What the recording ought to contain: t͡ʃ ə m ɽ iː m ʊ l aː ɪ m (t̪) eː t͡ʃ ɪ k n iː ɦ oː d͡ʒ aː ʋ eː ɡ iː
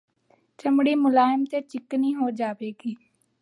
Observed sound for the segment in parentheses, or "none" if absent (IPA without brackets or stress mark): t̪